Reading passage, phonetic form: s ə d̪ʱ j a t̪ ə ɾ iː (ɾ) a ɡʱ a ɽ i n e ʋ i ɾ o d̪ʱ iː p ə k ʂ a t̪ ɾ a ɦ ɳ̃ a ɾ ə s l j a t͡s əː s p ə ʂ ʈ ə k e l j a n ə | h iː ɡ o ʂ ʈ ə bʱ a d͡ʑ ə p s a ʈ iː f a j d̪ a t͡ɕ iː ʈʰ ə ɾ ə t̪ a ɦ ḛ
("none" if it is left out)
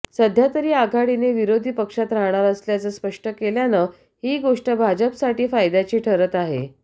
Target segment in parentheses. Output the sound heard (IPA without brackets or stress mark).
none